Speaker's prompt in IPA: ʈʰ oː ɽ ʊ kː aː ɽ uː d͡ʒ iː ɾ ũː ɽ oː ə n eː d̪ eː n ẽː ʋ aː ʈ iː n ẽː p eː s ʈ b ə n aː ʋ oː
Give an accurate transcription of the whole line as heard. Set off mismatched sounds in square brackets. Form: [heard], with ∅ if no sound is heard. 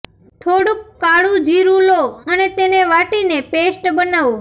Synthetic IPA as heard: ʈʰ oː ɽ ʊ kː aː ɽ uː d͡ʒ iː ɾ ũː [l] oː ə n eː [t̪] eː n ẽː ʋ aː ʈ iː n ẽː p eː s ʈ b ə n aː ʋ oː